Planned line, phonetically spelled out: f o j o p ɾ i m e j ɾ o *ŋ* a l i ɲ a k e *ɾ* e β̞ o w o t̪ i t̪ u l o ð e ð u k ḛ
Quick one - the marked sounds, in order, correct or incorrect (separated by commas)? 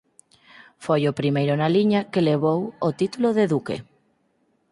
incorrect, incorrect